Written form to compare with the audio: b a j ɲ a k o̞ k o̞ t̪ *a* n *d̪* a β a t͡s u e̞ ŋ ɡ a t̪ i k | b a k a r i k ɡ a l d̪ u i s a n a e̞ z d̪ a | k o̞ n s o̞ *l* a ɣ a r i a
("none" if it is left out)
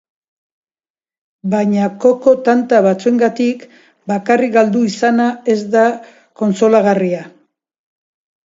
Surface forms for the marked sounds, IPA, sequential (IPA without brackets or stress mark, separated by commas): a, t̪, l